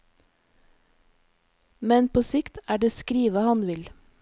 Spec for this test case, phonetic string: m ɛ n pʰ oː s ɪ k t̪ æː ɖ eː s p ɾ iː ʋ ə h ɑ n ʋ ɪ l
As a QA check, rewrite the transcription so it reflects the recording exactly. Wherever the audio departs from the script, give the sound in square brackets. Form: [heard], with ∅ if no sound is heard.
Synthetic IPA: m ɛ n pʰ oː s ɪ k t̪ æː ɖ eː s [k] ɾ iː ʋ ə h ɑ n ʋ ɪ l